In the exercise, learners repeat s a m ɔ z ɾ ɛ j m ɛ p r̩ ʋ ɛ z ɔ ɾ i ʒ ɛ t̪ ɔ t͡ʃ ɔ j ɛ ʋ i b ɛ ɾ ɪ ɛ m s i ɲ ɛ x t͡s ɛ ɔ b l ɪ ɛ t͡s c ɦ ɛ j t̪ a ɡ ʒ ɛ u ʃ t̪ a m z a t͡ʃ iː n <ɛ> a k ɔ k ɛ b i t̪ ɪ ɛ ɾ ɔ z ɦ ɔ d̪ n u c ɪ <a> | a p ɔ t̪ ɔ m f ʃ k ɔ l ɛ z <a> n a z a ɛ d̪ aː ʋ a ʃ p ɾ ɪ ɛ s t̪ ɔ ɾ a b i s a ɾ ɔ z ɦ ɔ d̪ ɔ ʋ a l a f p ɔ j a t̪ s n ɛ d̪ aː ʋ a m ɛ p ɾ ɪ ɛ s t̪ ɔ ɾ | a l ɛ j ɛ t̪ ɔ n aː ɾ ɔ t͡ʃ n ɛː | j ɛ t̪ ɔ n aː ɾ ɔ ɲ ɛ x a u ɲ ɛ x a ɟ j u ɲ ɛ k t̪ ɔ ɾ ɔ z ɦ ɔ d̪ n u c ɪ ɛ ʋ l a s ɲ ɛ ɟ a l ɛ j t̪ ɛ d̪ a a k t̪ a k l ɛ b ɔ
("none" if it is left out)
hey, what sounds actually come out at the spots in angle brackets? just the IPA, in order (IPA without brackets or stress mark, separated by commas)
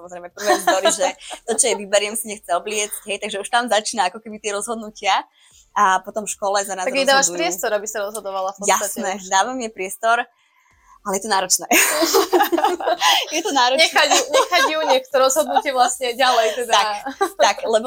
a, a, a